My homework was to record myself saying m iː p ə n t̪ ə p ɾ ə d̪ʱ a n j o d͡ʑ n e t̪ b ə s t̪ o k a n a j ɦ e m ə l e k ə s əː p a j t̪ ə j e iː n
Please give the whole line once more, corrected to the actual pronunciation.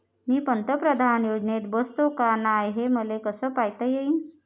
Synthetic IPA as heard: m iː p ə n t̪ ə p ɾ ə d̪ʱ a n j o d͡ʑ n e t̪ b ə s t̪ o k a n a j ɦ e m ə l e k ə s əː p a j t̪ ə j e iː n